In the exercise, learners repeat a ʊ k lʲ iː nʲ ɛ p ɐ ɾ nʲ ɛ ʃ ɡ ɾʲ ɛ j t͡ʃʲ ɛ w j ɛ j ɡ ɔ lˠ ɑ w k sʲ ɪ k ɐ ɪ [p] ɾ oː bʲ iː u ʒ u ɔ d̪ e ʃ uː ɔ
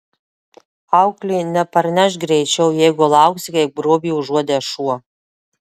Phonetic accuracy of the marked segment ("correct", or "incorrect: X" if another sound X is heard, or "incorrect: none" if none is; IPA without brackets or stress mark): incorrect: b